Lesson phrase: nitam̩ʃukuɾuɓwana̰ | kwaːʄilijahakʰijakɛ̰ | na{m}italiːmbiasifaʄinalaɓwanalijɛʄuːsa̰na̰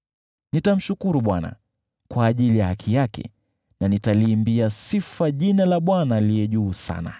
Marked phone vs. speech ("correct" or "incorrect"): incorrect